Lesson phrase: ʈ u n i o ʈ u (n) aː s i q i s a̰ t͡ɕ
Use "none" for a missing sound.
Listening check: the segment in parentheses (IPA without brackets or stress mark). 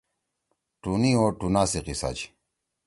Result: n